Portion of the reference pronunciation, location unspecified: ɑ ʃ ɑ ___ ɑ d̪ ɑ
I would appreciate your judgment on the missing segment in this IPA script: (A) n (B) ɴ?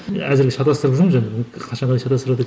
B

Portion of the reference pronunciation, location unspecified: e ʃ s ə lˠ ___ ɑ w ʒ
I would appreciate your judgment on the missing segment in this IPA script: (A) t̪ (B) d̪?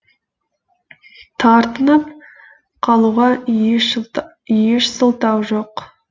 A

